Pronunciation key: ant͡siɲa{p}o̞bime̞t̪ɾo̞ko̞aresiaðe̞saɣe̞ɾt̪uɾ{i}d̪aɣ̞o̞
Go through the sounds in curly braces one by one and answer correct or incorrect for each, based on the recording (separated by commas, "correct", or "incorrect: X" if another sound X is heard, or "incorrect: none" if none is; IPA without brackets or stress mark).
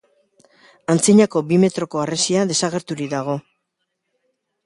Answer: incorrect: k, correct